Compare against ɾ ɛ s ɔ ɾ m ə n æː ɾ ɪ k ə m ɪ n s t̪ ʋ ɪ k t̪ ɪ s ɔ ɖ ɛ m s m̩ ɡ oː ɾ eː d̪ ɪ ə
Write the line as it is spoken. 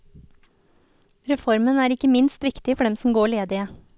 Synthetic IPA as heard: ɾ ɛ f ɔ ɾ m ə n æː ɾ ɪ k ə m ɪ n s t̪ ʋ ɪ k t̪ ɪ f ɔ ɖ ɛ m s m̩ ɡ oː ɭ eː d̪ ɪ ə